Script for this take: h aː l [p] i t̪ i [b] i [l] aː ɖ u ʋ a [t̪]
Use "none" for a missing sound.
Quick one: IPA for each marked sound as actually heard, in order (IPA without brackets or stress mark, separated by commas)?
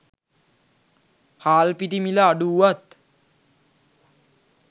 p, m, l, t̪